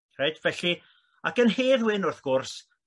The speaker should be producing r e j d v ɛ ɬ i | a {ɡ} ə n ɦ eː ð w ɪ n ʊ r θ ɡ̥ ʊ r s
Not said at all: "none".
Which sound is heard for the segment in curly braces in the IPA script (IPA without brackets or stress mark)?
k